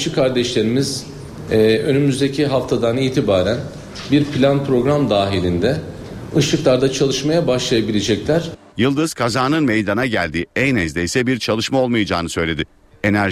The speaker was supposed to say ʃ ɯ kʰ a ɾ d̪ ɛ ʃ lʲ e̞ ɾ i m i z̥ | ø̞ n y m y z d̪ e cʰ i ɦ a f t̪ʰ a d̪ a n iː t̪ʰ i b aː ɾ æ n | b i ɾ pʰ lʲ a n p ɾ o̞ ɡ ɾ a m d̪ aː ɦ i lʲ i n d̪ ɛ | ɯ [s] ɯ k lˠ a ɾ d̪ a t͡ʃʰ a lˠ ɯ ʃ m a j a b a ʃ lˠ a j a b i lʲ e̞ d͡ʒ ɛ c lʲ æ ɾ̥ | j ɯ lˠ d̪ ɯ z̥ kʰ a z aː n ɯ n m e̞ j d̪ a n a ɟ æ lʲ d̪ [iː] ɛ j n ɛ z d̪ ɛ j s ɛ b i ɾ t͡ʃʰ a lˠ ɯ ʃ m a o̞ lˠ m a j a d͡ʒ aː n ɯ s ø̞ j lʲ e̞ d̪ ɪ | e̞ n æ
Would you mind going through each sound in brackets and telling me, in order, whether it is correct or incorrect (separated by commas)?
incorrect, correct